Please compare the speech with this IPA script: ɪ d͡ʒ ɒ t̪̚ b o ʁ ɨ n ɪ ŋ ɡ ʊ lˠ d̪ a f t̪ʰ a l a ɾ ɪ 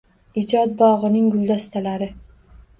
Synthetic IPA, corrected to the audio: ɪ d͡ʒ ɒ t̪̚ b ɒ ʁ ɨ n ɪ ŋ ɡ ʊ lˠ d̪ a s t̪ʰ a l a ɾ ɪ